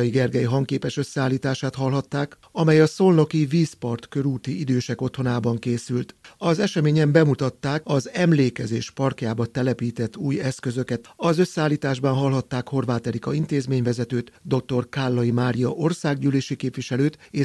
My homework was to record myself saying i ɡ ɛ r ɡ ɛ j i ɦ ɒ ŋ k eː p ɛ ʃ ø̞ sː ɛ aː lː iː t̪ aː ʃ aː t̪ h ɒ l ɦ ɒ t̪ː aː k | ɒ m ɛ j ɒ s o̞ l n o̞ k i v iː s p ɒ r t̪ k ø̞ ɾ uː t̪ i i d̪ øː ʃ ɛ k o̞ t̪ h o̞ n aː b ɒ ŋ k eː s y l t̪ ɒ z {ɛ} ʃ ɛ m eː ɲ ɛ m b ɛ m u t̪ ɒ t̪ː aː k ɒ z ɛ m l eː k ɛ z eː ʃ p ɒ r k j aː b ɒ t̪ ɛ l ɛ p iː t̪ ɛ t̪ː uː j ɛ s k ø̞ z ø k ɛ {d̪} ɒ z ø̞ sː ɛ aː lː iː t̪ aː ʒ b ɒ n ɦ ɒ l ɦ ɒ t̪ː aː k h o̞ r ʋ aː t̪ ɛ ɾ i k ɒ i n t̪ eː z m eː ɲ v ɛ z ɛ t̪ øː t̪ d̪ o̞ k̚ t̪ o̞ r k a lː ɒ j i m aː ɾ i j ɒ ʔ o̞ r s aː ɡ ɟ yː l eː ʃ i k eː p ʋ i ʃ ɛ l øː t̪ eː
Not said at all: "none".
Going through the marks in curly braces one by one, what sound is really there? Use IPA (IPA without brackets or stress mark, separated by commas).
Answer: ɛ, t̪